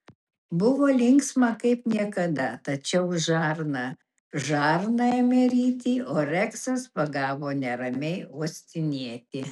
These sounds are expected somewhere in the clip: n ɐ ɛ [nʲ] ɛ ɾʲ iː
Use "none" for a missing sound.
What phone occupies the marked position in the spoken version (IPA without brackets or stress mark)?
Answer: mʲ